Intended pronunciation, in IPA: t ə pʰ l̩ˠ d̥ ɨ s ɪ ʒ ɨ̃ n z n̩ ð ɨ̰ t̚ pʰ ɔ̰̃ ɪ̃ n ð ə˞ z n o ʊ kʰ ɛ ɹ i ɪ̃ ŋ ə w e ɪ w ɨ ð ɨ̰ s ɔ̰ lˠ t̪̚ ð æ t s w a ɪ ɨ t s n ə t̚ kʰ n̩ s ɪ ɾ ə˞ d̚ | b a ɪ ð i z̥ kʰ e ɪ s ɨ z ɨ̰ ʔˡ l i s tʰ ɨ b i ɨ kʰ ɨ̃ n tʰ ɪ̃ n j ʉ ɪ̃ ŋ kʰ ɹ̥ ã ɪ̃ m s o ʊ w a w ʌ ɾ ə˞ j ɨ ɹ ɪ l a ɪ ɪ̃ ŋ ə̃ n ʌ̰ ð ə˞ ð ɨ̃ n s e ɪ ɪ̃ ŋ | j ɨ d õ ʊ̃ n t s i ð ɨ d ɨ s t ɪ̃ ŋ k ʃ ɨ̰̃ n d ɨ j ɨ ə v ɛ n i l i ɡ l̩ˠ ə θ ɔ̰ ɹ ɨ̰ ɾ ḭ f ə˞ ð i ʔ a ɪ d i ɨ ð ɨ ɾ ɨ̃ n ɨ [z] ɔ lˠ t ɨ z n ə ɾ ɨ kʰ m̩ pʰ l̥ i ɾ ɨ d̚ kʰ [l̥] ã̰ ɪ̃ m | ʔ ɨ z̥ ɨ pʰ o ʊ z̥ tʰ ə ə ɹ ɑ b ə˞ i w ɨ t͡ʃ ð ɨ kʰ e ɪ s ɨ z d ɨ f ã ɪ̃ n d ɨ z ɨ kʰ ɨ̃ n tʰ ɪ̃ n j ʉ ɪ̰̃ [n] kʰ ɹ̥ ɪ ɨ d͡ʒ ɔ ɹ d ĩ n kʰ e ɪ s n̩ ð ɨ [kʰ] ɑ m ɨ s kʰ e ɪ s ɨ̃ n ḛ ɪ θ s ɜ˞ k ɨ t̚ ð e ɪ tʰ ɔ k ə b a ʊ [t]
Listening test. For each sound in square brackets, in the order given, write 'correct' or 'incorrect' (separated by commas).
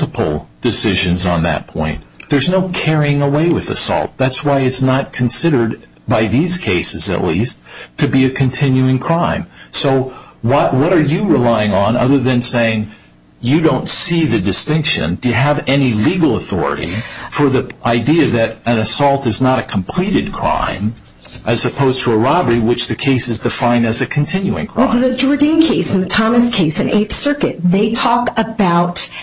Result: incorrect, incorrect, incorrect, incorrect, correct